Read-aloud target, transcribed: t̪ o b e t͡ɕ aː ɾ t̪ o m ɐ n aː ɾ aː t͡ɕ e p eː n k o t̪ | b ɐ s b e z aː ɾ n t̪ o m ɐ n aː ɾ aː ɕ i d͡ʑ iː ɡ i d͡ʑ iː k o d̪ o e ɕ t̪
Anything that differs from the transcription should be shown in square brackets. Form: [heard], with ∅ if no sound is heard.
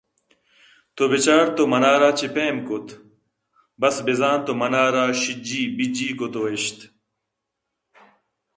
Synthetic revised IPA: t̪ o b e t͡ɕ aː ɾ t̪ o m ɐ n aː ɾ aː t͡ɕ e p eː [m] k o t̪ | b ɐ s b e z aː [∅] n t̪ o m ɐ n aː ɾ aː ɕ i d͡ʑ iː [b] i d͡ʑ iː k o [t̪] o e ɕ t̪